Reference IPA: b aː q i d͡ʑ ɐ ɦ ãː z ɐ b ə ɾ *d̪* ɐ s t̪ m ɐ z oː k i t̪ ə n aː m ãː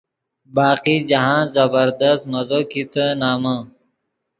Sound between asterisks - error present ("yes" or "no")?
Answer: no